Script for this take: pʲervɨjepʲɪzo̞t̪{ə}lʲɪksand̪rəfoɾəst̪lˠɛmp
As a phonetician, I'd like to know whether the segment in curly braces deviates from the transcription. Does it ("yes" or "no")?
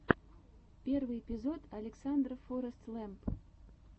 yes